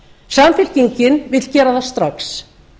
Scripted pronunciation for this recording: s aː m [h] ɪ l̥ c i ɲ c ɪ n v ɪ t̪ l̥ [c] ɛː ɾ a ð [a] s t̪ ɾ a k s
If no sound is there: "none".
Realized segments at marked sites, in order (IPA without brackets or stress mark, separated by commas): f, c, a